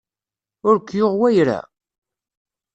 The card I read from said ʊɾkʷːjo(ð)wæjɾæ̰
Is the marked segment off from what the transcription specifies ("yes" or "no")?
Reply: yes